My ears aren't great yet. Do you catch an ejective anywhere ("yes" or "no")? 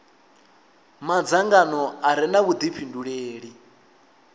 no